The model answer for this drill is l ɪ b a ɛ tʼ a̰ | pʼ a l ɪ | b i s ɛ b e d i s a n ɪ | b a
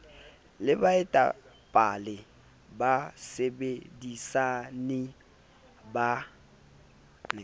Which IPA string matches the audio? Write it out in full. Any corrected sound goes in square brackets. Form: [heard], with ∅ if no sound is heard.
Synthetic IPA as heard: l ɪ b a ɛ tʼ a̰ | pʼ a l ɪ | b [a] s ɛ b e d i s a n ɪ | b a